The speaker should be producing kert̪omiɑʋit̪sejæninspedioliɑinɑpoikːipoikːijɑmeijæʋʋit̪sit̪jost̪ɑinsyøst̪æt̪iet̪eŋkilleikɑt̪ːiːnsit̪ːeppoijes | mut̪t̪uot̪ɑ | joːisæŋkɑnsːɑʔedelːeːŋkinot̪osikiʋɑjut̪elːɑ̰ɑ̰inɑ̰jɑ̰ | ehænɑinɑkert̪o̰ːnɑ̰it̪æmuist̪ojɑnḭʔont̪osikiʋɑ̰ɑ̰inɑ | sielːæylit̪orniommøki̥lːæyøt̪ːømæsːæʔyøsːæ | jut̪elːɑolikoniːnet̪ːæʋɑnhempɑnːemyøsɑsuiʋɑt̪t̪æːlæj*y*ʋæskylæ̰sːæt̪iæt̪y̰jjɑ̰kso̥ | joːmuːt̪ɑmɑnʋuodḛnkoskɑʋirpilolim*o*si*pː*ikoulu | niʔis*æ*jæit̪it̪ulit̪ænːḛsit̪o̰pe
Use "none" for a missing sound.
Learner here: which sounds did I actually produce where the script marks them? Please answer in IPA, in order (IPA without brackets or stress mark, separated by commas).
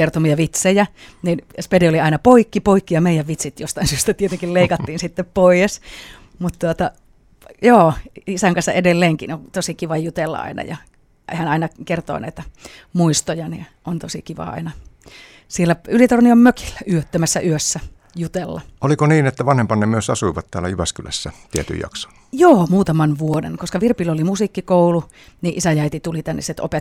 y, u, kː, æ